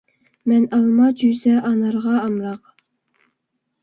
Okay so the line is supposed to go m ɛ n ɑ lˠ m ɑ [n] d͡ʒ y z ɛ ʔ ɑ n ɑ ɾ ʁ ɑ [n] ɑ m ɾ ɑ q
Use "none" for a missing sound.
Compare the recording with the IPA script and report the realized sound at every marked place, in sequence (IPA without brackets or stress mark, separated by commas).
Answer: none, none